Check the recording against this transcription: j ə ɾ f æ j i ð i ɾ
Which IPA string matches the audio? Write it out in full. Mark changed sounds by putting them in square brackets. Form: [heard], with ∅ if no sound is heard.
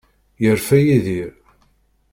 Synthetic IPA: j ə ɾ f æ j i ð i ɾ